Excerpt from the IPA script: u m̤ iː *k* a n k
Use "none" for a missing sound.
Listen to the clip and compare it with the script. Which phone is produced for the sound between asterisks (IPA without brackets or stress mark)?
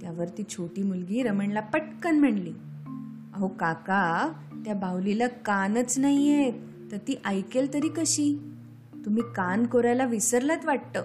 k